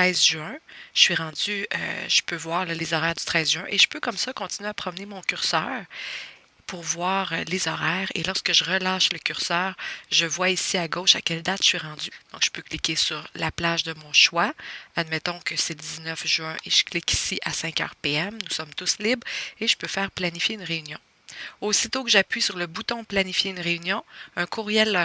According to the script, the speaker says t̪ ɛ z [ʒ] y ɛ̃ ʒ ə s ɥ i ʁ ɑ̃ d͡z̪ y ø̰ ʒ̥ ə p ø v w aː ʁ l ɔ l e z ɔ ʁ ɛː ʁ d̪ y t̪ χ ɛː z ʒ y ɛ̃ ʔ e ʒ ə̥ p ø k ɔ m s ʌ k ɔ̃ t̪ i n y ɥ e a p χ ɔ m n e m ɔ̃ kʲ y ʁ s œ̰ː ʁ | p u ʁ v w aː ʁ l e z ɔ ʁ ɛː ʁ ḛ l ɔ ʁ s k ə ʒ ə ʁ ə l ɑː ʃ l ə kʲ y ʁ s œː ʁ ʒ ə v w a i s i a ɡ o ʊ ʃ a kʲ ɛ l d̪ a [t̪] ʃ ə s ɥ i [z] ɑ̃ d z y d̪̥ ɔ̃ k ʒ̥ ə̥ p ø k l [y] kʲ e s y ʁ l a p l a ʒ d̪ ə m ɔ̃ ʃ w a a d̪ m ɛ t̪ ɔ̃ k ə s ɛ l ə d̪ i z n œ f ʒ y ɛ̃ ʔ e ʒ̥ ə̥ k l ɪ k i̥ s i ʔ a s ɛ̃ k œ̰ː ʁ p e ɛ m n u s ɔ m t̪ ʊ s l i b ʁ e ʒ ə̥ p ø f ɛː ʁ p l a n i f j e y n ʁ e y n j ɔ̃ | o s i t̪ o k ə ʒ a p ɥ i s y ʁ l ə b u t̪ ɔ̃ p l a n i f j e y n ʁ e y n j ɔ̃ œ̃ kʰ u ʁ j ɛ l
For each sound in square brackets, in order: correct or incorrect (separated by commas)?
correct, correct, incorrect, incorrect